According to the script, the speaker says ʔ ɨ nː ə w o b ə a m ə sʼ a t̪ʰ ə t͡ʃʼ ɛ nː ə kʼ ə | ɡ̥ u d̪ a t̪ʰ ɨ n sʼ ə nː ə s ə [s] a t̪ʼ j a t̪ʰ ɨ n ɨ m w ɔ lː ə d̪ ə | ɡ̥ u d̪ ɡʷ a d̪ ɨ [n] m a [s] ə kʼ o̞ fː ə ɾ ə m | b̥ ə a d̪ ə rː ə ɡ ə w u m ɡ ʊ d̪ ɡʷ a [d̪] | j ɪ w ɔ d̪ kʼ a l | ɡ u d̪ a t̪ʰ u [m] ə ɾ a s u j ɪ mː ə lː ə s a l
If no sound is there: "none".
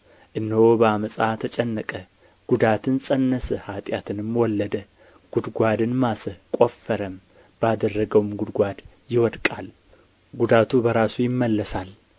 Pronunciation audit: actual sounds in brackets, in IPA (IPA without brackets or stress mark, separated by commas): h, n, s, d̪, b